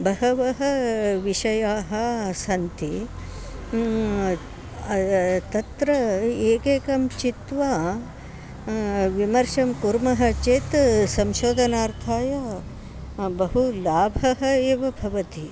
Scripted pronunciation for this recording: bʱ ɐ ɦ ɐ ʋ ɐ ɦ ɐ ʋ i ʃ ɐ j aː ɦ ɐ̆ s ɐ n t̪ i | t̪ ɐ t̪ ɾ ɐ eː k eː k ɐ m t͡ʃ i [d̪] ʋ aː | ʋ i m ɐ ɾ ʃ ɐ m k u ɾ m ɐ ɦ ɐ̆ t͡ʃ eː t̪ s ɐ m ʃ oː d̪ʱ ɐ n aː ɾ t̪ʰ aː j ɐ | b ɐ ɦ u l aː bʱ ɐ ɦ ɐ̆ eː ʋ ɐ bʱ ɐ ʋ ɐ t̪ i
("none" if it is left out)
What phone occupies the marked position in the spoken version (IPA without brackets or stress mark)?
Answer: t̪